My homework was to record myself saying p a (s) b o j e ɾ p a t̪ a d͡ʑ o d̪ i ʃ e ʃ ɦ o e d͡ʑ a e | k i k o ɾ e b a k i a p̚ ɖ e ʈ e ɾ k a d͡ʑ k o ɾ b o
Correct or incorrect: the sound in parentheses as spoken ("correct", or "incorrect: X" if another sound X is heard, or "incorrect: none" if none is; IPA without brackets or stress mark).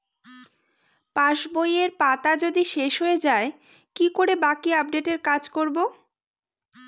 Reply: incorrect: ʃ